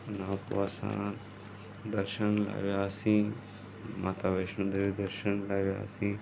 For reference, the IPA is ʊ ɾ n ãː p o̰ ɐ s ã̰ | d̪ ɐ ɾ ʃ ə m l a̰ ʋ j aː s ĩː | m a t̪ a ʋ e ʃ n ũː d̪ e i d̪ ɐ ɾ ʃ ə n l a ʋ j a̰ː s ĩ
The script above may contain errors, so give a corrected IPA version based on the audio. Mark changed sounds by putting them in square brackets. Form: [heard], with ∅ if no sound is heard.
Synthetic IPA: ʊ [∅] n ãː p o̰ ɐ s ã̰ | d̪ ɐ ɾ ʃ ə [n] l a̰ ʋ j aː s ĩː | m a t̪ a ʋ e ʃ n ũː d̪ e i d̪ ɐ ɾ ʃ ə n l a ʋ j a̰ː s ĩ